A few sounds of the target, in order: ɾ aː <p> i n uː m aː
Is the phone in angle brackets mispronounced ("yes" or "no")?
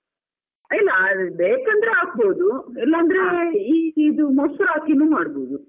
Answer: yes